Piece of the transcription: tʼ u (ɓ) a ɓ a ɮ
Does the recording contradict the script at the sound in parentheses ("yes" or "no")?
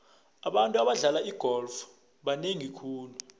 yes